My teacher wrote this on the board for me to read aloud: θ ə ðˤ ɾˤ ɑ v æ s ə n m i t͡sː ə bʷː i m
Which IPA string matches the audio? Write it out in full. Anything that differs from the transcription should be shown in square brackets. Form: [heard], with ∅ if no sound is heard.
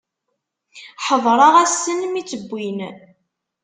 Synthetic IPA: [ħ] ə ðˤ ɾˤ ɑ [ʁ] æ s ə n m i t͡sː ə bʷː i [n]

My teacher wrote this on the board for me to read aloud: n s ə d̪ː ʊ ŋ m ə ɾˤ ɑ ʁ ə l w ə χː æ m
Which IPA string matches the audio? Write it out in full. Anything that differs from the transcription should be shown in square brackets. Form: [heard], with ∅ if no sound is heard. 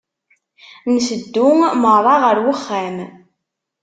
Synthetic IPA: n s ə d̪ː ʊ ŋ m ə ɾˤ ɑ ʁ ə [ɾ] w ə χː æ m

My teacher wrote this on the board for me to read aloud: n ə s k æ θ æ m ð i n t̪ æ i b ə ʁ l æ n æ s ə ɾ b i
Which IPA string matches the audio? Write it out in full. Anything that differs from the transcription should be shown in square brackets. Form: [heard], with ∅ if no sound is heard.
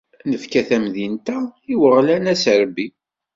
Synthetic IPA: n ə [f] k æ θ æ m ð i n t̪ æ i [w] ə ʁ l æ n æ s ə ɾ b i

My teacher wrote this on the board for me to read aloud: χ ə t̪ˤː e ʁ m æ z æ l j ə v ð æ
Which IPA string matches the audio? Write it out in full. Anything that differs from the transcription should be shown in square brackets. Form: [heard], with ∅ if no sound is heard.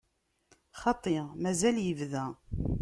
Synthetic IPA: χ [ɑ] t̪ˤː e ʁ m æ z æ l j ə v ð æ

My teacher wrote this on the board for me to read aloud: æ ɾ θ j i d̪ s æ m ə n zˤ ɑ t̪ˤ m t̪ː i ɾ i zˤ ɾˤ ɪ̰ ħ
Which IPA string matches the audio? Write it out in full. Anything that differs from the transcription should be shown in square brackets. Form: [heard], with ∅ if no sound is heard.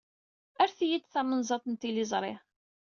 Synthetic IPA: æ ɾ θ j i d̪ [θ] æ m ə n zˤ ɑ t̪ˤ [n] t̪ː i [l] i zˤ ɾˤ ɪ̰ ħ

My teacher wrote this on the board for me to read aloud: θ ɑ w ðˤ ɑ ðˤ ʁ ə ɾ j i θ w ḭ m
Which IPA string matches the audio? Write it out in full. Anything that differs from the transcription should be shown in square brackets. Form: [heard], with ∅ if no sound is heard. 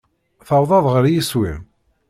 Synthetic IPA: θ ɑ w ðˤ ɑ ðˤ ʁ ə ɾ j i [s] w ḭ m

